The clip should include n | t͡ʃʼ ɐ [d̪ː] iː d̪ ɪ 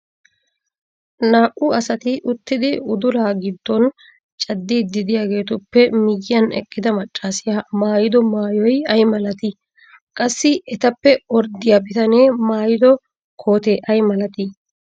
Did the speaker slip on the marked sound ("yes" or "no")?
no